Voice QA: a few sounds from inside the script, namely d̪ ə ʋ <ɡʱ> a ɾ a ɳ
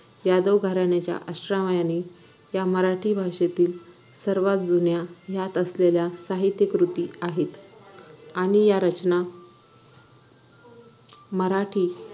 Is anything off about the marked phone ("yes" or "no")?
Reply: no